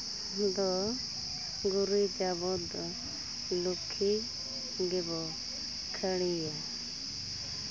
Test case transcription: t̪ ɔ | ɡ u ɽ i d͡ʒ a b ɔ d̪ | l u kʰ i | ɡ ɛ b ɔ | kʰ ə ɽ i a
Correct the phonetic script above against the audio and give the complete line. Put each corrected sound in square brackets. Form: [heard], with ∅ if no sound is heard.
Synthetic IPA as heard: [d̪] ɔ | ɡ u [ɾ] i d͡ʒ a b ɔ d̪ | l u kʰ i | ɡ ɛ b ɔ | kʰ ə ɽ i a

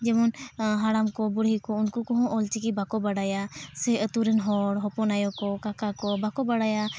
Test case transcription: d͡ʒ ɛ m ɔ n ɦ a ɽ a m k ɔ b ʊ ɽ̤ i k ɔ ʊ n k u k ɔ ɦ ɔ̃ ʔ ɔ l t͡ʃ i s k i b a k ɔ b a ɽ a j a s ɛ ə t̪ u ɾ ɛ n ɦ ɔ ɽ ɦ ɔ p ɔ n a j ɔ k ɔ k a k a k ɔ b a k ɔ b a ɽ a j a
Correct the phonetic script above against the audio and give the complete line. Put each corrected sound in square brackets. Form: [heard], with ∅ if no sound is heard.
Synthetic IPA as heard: d͡ʒ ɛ m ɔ n ɦ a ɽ a m k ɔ b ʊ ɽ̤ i k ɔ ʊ n k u k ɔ ɦ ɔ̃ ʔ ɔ l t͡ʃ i [∅] k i b a k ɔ b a ɽ a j a s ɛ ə t̪ u ɾ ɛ n ɦ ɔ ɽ ɦ ɔ p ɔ n a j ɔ k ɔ k a k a k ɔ b a k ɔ b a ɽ a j a

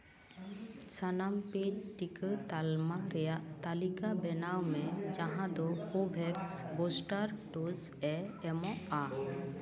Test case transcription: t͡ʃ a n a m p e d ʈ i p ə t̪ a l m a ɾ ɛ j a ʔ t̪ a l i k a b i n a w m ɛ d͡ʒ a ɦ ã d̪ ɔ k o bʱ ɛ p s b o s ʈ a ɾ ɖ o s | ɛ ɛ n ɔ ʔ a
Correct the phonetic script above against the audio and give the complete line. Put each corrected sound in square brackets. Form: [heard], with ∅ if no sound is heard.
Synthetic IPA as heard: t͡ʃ a n a m p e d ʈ i [k] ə t̪ a l m a ɾ ɛ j a ʔ t̪ a l i k a b [ɛ] n a w m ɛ d͡ʒ a ɦ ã d̪ ɔ k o bʱ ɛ [k] s b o s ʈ a ɾ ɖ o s | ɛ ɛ [m] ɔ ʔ a

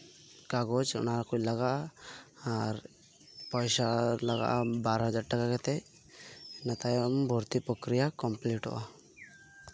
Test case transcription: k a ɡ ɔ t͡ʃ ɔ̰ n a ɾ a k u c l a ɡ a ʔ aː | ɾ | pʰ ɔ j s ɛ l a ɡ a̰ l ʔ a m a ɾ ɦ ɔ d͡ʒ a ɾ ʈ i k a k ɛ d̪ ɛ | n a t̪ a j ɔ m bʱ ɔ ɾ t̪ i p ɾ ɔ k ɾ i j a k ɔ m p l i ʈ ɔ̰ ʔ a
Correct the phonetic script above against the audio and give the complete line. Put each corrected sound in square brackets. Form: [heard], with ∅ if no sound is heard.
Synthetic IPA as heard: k a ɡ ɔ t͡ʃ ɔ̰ n a ɾ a k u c l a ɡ a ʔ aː | ɾ | [p] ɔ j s [a] l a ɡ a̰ [∅] ʔ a [b] a ɾ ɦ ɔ d͡ʒ a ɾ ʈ [a] k a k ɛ [t̪] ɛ | n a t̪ a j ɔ m bʱ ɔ ɾ t̪ i p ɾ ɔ k ɾ i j a k ɔ m p l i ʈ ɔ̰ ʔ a

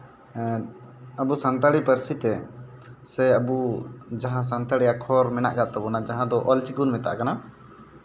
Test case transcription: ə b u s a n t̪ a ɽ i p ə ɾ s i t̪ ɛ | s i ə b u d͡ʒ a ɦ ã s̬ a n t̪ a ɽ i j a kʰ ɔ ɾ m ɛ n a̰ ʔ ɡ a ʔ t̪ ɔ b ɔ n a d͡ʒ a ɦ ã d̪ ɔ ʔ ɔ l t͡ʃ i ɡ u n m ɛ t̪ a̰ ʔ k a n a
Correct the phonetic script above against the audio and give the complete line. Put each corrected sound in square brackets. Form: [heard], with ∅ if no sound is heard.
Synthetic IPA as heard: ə b u s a n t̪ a ɽ i p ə ɾ s i t̪ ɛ | s [ɛ] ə b u d͡ʒ a ɦ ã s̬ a n t̪ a ɽ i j a kʰ ɔ ɾ m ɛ n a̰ ʔ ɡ a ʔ t̪ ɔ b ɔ n a d͡ʒ a ɦ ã d̪ ɔ ʔ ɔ l t͡ʃ i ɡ u n m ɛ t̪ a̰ ʔ k a n a

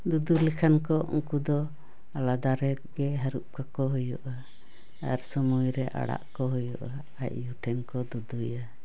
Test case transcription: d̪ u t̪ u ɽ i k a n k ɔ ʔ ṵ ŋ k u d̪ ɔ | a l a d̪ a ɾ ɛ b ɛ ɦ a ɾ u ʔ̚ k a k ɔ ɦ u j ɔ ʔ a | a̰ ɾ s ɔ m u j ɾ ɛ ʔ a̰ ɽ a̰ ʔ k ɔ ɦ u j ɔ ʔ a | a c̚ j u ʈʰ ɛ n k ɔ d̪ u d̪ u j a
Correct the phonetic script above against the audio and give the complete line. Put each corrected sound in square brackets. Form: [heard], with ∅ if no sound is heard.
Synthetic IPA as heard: d̪ u [d̪] u [l] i [kʰ] a n k ɔ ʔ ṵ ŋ k u d̪ ɔ | a l a d̪ a ɾ ɛ [ɡ] ɛ ɦ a ɾ u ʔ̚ k a k ɔ ɦ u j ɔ ʔ a | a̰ ɾ s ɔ m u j ɾ ɛ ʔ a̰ ɽ a̰ ʔ k ɔ ɦ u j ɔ ʔ a | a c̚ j u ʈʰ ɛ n k ɔ d̪ u d̪ u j a

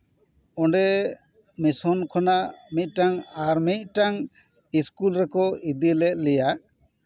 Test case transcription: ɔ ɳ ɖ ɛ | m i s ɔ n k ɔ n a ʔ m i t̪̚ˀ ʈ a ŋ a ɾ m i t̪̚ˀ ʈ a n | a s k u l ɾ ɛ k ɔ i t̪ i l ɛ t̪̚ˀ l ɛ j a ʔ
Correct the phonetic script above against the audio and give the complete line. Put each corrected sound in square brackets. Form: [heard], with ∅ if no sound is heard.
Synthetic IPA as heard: ɔ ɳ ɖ ɛ | m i s ɔ n [kʰ] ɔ n a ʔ m i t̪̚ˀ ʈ a ŋ a ɾ m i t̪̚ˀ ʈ a [ŋ] | [i] s k u l ɾ ɛ k ɔ i [d̪] i l ɛ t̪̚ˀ l ɛ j a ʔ

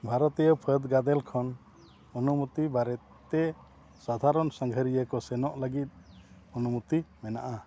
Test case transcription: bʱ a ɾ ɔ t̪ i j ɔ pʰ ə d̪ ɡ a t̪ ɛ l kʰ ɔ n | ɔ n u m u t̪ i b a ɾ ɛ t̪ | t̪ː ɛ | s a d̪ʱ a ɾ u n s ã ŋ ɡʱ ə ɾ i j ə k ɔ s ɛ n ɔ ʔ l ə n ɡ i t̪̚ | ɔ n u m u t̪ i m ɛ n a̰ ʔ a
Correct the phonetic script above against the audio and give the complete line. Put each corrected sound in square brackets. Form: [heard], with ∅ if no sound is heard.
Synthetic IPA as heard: bʱ a ɾ ɔ t̪ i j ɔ pʰ ə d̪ ɡ a [d̪] ɛ l kʰ ɔ n | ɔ n u m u t̪ i b a ɾ ɛ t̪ | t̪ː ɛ | s a d̪ʱ a ɾ [ɔ] n s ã ŋ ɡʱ ə ɾ i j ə k ɔ s ɛ n ɔ ʔ l ə [∅] ɡ i t̪̚ | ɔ n u m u t̪ i m ɛ n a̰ ʔ a

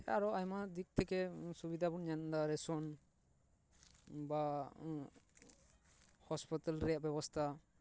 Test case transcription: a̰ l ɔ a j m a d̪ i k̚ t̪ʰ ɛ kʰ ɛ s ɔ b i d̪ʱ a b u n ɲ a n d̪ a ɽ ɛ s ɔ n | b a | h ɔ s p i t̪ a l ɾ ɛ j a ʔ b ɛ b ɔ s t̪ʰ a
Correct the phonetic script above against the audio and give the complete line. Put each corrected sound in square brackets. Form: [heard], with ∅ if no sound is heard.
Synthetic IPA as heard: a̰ [ɾ] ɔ a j m a d̪ i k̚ t̪ʰ ɛ [k] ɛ s [u] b i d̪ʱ a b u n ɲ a n d̪ a [ɾ] ɛ s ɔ n | b a | h ɔ s p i t̪ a l ɾ ɛ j a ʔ b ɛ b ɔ s t̪ʰ a

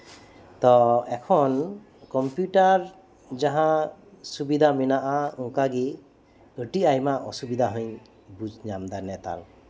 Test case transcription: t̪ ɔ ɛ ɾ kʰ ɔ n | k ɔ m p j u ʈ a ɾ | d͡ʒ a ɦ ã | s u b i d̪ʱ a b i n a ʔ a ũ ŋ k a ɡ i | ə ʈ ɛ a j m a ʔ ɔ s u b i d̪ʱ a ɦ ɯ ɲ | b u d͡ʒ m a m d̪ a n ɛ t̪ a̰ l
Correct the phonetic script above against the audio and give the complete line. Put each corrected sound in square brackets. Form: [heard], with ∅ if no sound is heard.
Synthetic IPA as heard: t̪ ɔ ɛ [∅] kʰ ɔ n | k ɔ m p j u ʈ a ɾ | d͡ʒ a ɦ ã | s u b i d̪ʱ a [m] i n a ʔ a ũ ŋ k a ɡ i | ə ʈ [i] a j m a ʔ ɔ s u b i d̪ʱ a ɦ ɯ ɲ | b u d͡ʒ [ɲ] a m d̪ a n ɛ t̪ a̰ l

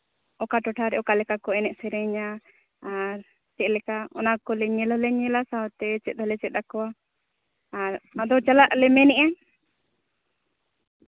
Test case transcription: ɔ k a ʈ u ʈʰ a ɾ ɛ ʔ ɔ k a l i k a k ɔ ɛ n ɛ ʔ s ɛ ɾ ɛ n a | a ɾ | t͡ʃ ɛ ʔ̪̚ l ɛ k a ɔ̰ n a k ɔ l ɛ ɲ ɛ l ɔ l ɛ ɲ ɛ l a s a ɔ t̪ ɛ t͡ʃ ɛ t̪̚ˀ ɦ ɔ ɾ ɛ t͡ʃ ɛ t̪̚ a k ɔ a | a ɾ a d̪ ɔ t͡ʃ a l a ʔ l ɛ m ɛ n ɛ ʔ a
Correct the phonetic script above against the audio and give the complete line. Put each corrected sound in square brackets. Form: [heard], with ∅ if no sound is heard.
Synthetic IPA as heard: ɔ k a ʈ [ɔ] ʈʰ a ɾ ɛ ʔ ɔ k a l [ɛ] k a k ɔ ɛ n ɛ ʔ s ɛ ɾ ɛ [ɲ] a | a ɾ | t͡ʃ ɛ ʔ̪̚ l ɛ k a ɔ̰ n a k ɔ l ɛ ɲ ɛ l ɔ l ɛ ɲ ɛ l a s a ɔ t̪ ɛ t͡ʃ ɛ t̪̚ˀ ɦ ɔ [l] ɛ t͡ʃ ɛ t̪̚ a k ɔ a | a ɾ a d̪ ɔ t͡ʃ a l a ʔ l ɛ m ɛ n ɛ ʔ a

